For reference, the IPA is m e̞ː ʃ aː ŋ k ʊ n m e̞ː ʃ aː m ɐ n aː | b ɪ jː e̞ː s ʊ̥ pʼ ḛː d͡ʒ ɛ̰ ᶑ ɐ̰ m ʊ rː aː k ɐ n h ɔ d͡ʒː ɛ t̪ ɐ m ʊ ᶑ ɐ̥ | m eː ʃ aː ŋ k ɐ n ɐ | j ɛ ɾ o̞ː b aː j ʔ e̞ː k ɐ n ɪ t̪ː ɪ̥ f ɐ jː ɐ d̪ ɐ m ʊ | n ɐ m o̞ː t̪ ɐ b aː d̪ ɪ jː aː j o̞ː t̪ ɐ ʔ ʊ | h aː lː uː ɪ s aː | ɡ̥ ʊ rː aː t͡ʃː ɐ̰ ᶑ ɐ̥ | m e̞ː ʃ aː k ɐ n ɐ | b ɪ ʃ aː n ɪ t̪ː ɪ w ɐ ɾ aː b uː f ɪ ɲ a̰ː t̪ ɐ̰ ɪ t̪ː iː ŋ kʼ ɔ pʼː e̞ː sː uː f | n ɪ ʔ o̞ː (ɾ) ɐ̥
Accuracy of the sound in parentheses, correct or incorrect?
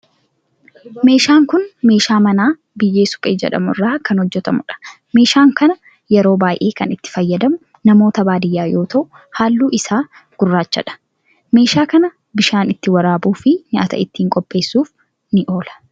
incorrect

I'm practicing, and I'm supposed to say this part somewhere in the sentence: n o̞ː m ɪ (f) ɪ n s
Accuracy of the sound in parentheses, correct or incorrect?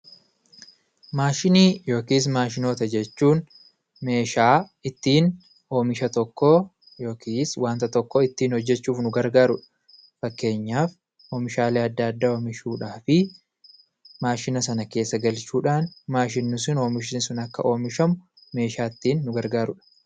incorrect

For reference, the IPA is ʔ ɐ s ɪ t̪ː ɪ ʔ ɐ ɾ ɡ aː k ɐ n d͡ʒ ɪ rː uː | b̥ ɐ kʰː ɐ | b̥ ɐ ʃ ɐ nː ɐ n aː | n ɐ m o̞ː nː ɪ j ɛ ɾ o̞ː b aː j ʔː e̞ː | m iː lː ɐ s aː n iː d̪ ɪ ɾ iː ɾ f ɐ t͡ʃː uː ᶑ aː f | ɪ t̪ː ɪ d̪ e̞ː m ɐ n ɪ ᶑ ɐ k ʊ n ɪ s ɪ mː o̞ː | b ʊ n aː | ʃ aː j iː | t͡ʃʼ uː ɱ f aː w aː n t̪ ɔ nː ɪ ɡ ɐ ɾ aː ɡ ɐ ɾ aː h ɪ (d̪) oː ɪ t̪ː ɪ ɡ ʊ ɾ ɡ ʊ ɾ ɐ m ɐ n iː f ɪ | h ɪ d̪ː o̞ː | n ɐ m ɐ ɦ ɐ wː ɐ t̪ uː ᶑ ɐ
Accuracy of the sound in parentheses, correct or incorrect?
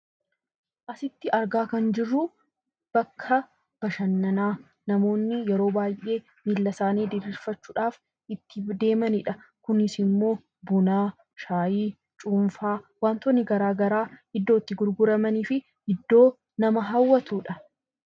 incorrect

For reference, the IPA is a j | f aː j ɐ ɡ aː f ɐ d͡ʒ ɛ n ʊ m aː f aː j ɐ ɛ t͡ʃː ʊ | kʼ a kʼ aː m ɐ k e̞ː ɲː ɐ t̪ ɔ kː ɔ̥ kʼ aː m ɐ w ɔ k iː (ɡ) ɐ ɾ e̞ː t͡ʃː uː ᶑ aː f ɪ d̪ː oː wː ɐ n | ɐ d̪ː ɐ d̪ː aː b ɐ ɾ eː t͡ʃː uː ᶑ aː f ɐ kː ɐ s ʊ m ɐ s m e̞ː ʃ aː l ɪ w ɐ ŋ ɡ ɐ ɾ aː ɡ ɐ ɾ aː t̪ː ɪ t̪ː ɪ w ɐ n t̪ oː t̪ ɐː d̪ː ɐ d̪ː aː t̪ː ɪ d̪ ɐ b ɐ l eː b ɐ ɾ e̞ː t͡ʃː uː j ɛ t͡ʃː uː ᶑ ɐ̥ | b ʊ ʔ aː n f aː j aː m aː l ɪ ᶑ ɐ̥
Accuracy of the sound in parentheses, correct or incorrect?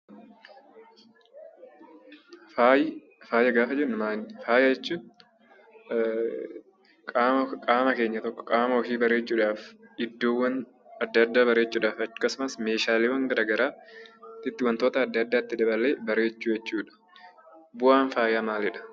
incorrect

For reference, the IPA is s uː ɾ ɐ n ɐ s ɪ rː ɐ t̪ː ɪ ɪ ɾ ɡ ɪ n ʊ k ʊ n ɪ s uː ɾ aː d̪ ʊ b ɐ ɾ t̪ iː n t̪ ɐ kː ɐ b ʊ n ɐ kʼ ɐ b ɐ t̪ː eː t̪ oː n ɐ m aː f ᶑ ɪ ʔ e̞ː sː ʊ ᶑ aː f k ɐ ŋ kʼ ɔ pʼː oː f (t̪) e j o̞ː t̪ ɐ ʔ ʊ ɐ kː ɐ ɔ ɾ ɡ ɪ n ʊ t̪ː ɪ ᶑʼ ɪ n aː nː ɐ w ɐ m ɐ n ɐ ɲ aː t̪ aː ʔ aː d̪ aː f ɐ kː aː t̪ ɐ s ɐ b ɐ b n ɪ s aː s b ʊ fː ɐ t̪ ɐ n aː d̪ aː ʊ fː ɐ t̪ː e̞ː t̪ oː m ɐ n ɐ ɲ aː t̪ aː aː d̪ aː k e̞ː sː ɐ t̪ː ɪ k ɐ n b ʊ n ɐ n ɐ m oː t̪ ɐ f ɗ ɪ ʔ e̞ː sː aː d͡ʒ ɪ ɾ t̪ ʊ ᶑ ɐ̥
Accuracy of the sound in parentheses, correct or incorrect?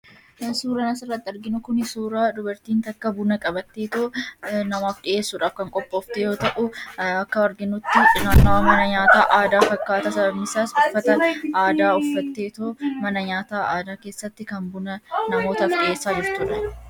correct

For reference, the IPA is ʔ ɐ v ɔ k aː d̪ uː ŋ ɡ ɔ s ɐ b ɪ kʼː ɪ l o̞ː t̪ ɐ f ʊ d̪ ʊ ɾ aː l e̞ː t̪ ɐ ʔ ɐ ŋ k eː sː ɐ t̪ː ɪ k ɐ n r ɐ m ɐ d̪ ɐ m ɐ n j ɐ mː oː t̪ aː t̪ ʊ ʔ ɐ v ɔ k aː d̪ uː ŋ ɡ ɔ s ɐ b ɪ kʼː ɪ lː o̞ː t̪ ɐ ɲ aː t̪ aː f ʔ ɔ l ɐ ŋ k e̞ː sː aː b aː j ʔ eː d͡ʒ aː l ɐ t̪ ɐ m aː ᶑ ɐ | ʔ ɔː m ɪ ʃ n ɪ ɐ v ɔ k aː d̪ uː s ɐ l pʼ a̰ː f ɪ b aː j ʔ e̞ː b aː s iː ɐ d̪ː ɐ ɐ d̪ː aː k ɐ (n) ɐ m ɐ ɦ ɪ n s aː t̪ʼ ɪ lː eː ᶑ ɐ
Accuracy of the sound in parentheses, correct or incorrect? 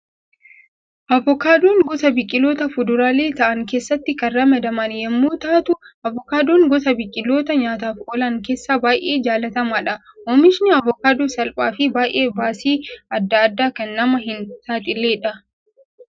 incorrect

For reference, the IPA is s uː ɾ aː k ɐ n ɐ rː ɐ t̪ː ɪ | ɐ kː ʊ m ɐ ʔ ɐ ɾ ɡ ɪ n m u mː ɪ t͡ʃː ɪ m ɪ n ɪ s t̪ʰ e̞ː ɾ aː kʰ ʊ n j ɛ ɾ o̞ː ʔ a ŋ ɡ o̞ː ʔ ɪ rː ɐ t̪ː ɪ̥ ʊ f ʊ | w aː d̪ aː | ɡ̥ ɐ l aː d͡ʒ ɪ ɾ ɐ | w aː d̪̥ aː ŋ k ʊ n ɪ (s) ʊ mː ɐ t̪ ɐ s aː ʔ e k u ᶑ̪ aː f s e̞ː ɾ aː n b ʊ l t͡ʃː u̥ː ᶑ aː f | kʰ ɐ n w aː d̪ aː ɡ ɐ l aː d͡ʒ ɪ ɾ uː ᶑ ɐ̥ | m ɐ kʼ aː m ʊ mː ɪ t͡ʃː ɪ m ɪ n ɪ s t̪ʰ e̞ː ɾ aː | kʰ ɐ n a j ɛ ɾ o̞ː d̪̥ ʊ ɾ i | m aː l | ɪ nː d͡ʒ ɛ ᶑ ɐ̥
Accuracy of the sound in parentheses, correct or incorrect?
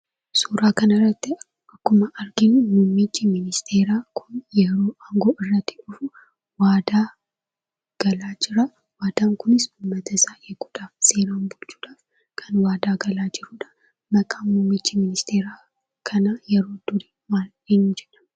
correct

